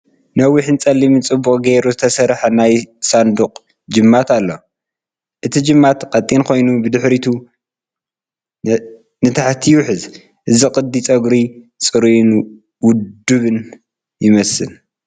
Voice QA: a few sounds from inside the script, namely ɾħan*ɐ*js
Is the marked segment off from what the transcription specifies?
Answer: yes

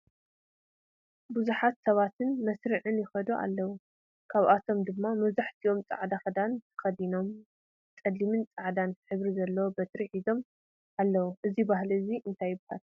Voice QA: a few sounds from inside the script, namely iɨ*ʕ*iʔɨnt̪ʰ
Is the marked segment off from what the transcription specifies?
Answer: yes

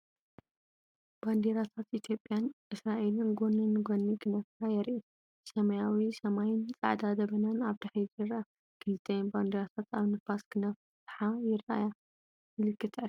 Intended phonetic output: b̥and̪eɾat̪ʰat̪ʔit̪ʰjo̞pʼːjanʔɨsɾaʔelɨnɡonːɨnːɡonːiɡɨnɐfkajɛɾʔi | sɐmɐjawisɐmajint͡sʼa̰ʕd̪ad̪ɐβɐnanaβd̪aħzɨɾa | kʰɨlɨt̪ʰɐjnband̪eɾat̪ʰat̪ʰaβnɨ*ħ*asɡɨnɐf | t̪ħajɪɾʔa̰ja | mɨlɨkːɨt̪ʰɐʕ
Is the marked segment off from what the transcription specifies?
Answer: yes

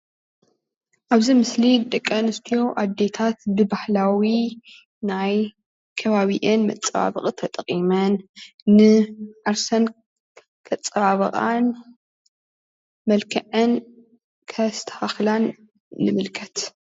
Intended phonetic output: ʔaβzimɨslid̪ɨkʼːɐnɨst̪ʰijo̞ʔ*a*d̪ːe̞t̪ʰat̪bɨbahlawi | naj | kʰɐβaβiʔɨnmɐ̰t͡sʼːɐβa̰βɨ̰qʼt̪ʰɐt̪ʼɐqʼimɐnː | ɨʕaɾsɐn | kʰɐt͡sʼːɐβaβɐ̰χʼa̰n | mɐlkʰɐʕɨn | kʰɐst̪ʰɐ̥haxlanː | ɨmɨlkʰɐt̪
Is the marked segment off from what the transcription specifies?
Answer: no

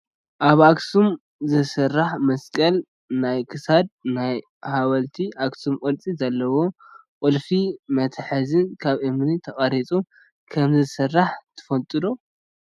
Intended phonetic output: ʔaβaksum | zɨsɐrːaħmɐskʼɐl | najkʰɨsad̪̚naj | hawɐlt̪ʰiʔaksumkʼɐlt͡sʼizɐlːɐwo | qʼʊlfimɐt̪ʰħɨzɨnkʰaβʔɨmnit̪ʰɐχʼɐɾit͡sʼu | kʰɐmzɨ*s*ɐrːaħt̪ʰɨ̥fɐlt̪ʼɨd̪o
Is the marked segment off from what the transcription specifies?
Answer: no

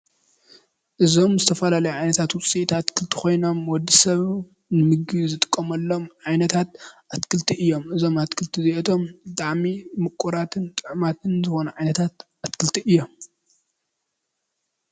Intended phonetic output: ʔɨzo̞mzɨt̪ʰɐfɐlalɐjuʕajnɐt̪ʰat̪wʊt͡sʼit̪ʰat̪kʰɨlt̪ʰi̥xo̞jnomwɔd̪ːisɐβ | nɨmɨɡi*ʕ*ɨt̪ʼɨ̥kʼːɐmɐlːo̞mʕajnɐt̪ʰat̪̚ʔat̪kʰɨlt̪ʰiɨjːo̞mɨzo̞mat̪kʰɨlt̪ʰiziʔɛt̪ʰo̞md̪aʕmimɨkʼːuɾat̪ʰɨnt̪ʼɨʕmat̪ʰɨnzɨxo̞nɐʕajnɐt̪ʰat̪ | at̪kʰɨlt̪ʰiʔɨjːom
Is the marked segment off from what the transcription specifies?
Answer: yes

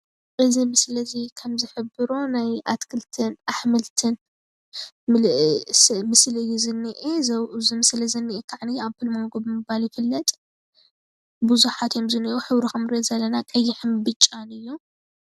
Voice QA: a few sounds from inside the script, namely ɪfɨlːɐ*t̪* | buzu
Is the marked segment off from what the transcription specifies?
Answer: yes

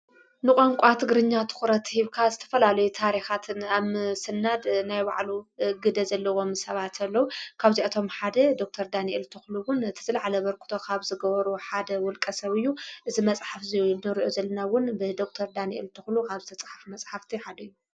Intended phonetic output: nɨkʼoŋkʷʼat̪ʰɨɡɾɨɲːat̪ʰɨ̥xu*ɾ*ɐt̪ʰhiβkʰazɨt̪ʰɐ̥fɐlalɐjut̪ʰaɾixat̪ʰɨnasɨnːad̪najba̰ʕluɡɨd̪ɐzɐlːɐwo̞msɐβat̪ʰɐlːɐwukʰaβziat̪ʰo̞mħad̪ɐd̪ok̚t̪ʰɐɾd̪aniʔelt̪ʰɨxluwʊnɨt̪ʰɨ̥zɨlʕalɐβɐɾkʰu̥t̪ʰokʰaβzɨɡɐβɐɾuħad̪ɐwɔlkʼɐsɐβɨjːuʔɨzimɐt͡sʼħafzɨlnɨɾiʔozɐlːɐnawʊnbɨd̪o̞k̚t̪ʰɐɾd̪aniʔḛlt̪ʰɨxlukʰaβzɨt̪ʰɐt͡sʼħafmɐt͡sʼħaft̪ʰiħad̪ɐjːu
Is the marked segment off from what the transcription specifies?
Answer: no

